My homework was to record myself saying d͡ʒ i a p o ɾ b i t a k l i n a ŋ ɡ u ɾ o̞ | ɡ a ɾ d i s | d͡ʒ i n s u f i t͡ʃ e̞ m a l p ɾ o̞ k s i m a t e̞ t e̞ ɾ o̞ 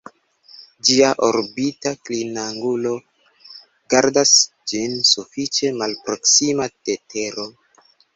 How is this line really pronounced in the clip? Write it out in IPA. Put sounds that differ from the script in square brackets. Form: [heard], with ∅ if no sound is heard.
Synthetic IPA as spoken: d͡ʒ i a [ʔ] o ɾ b i t a k l i n a ŋ ɡ u [l] o̞ | ɡ a ɾ d [a] s | d͡ʒ i n s u f i t͡ʃ e̞ m a l p ɾ o̞ k s i m a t e̞ t e̞ ɾ o̞